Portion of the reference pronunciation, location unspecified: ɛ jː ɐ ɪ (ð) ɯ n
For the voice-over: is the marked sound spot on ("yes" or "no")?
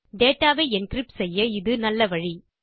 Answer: yes